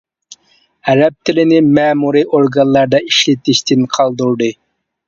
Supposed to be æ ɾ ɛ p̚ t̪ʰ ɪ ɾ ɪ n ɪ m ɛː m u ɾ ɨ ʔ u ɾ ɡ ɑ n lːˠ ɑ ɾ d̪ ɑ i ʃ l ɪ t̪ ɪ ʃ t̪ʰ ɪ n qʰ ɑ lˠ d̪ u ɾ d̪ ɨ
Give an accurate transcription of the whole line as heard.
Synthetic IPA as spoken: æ ɾ ɛ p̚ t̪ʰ ɪ l ɪ n ɪ m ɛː m u ɾ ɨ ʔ o ɾ ɡ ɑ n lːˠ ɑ ɾ d̪ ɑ i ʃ l ɪ t̪ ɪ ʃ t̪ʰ ɪ n qʰ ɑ lˠ d̪ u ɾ d̪ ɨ